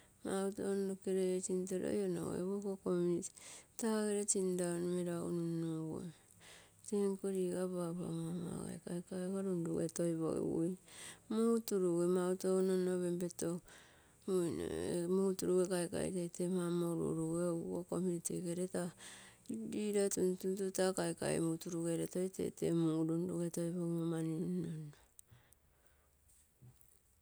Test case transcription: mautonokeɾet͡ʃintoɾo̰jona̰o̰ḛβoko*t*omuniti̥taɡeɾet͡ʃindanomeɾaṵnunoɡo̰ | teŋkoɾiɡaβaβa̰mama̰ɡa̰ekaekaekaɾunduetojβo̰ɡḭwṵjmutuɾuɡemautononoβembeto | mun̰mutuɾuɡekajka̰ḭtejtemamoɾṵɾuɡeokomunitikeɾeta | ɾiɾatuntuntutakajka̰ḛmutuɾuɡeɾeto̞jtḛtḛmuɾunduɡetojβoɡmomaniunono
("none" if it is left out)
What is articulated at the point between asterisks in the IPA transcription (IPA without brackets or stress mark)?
k